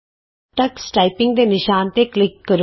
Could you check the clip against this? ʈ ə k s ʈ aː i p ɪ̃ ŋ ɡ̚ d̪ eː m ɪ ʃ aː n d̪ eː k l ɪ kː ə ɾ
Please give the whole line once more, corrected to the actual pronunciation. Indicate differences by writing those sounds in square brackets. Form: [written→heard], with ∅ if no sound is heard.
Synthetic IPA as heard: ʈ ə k s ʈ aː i p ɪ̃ ŋ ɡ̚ d̪ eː [m→n] ɪ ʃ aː n [d̪→t̪] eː k l ɪ kː ə ɾ